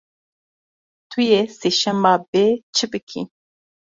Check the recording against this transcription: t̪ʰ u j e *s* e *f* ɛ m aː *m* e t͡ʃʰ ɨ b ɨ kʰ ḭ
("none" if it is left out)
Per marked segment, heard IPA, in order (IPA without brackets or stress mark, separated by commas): s, ʃ, b